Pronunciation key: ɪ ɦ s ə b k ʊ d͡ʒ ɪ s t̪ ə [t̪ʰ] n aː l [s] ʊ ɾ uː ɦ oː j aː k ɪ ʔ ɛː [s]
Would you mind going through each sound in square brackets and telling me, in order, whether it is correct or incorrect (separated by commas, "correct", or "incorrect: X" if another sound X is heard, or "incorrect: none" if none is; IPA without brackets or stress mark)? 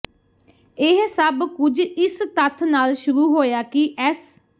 correct, incorrect: ʃ, correct